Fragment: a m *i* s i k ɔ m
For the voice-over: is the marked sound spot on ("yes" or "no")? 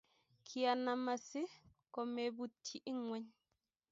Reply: no